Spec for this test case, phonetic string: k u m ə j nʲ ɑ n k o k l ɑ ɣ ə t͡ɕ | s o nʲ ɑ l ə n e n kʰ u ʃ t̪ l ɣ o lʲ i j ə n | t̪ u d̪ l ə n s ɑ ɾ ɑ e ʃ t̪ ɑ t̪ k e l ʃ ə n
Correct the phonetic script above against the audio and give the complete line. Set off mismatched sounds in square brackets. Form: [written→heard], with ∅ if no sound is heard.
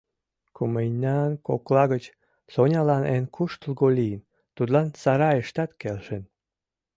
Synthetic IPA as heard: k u m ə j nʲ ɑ n k o k l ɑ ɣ ə t͡ɕ | s o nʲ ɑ l [ə→ɑ] n e n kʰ u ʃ t̪ l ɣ o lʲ i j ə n | t̪ u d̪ l [ə→ɑ] n s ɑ ɾ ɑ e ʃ t̪ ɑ t̪ k e l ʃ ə n